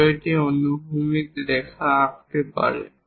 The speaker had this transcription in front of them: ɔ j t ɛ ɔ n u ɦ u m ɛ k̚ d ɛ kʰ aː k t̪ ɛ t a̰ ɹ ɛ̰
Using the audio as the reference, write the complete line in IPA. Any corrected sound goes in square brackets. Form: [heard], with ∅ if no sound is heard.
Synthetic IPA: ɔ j t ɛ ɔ n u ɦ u m [i] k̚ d ɛ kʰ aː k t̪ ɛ [p] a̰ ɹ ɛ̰